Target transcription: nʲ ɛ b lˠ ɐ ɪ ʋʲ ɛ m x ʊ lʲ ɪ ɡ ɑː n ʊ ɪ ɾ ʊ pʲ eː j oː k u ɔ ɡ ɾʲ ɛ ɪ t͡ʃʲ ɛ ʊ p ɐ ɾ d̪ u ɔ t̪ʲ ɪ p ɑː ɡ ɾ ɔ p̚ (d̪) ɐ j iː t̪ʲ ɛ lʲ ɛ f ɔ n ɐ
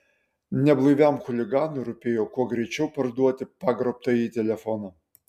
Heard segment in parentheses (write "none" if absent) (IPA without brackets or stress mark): t̪